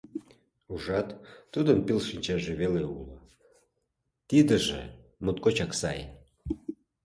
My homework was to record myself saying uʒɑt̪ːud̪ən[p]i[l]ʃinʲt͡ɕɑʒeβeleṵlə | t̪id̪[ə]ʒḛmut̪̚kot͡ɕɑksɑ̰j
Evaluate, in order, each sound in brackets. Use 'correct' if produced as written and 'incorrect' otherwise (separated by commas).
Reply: correct, correct, correct